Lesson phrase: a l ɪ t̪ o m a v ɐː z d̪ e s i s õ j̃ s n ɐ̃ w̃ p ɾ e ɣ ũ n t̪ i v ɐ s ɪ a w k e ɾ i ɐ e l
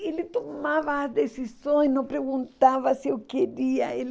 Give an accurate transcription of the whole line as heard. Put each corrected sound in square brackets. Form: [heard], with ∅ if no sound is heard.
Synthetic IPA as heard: [e] l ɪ t̪ o m a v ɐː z d̪ e s i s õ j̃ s n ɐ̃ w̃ p ɾ e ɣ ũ n t̪ [a] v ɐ s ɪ [e] w k e ɾ i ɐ e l